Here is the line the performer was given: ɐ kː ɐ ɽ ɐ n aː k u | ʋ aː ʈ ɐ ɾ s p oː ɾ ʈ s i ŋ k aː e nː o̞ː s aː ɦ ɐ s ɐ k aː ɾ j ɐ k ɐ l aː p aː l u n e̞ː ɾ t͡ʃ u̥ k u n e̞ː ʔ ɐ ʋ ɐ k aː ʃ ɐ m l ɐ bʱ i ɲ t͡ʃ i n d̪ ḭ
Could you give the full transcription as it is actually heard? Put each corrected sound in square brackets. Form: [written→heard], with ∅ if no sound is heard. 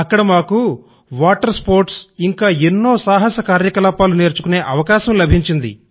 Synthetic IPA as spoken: ɐ kː ɐ ɽ ɐ [n→m] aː k u | ʋ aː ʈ ɐ ɾ s p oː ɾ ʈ s i ŋ k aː e nː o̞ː s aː ɦ ɐ s ɐ k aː ɾ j ɐ k ɐ l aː p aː l u n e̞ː ɾ t͡ʃ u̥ k u n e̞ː ʔ ɐ ʋ ɐ k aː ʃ ɐ m l ɐ bʱ i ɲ t͡ʃ i n d̪ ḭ